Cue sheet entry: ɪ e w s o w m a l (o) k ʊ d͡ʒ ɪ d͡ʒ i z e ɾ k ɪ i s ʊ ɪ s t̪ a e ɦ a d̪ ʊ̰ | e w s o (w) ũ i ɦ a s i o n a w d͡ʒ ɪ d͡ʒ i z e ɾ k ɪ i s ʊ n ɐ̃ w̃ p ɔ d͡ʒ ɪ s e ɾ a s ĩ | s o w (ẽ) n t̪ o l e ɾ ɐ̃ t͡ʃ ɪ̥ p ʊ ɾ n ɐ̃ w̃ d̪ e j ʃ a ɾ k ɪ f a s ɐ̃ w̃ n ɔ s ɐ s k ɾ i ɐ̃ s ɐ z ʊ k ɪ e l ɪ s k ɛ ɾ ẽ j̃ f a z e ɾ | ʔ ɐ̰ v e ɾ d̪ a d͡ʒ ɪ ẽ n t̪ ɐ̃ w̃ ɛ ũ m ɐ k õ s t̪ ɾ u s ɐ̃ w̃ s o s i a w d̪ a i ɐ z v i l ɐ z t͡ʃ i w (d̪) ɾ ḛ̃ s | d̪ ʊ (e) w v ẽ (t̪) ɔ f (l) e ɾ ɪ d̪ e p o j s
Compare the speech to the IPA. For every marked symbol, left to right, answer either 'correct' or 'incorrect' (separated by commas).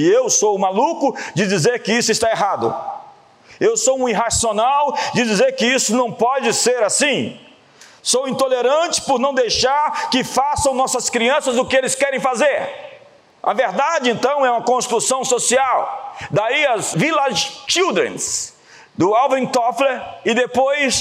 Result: incorrect, correct, incorrect, correct, incorrect, correct, correct